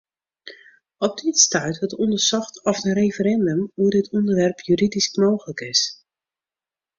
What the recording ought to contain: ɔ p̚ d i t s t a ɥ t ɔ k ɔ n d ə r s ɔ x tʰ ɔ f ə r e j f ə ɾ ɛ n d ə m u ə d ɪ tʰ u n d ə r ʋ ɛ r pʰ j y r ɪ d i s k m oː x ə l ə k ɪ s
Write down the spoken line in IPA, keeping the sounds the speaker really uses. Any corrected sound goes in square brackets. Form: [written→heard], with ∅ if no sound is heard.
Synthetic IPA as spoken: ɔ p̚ d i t s t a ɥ t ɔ [k→t] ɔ n d ə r s ɔ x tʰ ɔ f ə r e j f ə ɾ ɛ n d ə m u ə d ɪ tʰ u n d ə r ʋ ɛ r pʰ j y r [ɪ→i] d i s k m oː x ə l ə k ɪ s

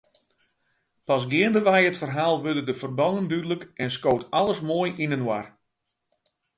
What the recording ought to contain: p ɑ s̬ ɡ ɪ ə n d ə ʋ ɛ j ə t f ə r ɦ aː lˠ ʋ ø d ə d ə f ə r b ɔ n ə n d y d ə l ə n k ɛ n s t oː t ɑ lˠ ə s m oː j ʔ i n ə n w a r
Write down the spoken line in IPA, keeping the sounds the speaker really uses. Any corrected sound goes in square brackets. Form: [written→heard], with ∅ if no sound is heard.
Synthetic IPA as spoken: p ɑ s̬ ɡ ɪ ə n d ə ʋ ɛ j ə t f ə r ɦ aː lˠ ʋ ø d ə d ə f ə r b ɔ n ə n d y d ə l ə [n→∅] k ɛ n s [t→k] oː t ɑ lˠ ə s m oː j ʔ i n ə n w a r

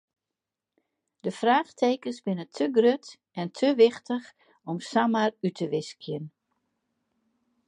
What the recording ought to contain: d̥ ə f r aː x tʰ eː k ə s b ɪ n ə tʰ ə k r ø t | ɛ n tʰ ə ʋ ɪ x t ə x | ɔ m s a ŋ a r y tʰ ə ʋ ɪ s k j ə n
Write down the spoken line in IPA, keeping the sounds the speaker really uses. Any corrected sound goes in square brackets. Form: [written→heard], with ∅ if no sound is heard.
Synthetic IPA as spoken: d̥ ə f r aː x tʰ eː k ə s b ɪ n ə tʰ ə [k→ɡ] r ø t | ɛ n tʰ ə ʋ ɪ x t ə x | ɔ m s a [ŋ→m] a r y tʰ ə ʋ ɪ s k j ə n

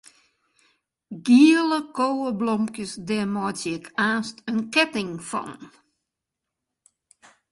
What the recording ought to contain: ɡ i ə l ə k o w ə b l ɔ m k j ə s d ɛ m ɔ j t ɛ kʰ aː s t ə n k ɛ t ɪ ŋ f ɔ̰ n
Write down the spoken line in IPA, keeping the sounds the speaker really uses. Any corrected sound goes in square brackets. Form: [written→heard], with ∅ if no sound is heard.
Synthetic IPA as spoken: ɡ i ə l ə k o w ə b l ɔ m k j ə s d ɛ m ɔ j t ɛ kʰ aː s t ə n k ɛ t ɪ ŋ f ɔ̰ n

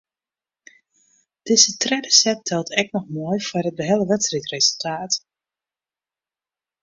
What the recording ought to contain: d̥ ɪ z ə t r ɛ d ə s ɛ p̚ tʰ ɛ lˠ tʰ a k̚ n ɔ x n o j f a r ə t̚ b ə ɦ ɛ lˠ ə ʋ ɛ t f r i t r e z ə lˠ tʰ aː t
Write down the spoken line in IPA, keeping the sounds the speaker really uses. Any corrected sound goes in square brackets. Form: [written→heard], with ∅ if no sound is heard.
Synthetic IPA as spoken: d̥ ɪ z ə t r ɛ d ə s ɛ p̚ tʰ ɛ lˠ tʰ [a→ɛ] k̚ n ɔ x [n→m] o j f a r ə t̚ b ə ɦ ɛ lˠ ə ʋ ɛ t [f→s] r i t r e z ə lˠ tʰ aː t

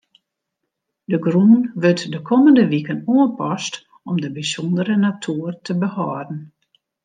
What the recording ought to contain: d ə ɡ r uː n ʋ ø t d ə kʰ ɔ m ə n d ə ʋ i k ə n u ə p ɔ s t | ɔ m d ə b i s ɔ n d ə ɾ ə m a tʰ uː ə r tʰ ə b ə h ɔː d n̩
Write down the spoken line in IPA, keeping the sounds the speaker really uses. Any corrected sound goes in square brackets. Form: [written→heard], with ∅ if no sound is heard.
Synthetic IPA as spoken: d ə ɡ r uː n ʋ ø t d ə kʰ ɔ m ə n d ə ʋ i k ə n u ə p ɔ s t | ɔ m d ə b i s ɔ n d ə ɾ ə [m→n] a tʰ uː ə r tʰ ə b ə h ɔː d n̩

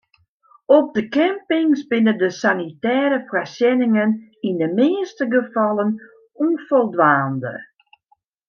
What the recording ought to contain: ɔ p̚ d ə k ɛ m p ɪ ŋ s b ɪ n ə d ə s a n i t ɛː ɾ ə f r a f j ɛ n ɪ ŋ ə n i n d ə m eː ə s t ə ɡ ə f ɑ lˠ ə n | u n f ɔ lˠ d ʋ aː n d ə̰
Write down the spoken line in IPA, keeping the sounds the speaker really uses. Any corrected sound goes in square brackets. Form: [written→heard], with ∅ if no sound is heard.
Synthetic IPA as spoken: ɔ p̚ d ə k ɛ m p ɪ ŋ s b ɪ n ə d ə s a n i t ɛː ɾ ə f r a [f→s] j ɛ n ɪ ŋ ə n i n d ə m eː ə s t ə ɡ ə f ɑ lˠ ə n | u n f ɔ lˠ d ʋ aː n d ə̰

